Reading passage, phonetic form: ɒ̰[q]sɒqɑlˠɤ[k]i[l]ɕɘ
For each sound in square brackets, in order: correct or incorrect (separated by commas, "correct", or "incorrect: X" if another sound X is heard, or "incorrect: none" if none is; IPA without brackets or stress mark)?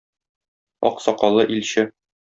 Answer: correct, incorrect: ʔ, correct